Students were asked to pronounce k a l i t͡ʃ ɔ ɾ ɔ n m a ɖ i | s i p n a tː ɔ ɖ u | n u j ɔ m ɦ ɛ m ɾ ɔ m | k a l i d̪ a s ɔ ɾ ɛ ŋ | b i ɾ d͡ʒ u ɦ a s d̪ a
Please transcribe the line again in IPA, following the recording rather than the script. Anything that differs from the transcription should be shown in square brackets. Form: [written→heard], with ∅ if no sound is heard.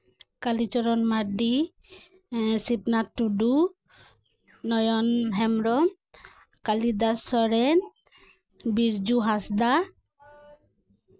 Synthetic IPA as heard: k a l i t͡ʃ ɔ ɾ ɔ n m a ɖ i | s i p n a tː [ɔ→u] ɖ u | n [u→ɔ] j ɔ [m→n] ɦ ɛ m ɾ ɔ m | k a l i d̪ a s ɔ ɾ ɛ [ŋ→n] | b i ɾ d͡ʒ u ɦ a s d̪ a